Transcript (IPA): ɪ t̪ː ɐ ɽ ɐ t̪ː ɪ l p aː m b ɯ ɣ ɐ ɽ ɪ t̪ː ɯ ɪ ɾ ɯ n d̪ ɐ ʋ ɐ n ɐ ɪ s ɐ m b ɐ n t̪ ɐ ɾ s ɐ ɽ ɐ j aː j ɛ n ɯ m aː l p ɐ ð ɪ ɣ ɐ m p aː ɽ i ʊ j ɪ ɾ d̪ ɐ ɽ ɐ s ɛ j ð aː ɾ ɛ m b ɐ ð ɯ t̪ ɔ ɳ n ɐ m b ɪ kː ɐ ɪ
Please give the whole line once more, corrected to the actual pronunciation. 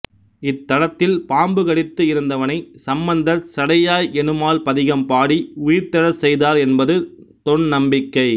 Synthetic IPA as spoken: ɪ t̪ː ɐ ɽ ɐ t̪ː ɪ l p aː m b ɯ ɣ ɐ ɽ ɪ t̪ː ɯ ɪ ɾ ɯ n d̪ ɐ ʋ ɐ n ɐ ɪ s ɐ m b ɐ n d̪ ɐ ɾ s ɐ ɽ ɐ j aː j ɛ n ɯ m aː l p ɐ ð ɪ ɣ ɐ m p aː ɽ i ʊ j ɪ ɾ t̪ ɐ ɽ ɐ s ɛ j ð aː ɾ ɛ n b ɐ ð ɯ t̪ ɔ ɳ n ɐ m b ɪ kː ɐ ɪ